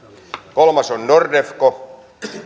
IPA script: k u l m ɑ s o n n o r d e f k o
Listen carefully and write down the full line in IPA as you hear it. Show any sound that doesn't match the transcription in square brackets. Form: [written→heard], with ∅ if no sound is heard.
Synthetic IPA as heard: k [u→o] l m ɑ s o n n o r d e f k o